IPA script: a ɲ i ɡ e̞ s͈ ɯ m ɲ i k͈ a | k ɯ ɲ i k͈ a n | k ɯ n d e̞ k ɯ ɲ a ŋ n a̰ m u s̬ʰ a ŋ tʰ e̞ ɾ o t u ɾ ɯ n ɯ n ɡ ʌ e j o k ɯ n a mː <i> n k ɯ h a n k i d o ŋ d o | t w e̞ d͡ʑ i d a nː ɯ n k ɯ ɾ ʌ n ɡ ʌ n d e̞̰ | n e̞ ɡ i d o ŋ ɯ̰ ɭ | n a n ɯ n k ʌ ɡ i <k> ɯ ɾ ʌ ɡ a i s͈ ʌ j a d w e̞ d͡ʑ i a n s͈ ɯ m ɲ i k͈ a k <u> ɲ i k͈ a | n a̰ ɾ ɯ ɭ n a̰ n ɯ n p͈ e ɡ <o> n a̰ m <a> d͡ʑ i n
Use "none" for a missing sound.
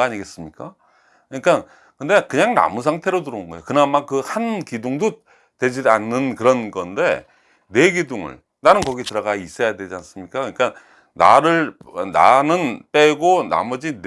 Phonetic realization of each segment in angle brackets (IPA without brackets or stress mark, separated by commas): a, t, ɯ, o, ʌ